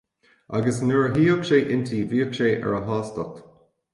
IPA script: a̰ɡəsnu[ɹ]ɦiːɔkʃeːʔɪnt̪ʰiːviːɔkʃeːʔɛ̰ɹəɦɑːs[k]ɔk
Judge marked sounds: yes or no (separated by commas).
yes, no